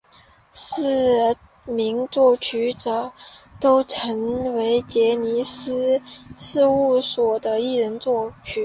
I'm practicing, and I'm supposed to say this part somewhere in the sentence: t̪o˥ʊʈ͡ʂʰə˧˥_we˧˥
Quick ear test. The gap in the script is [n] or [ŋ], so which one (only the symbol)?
ŋ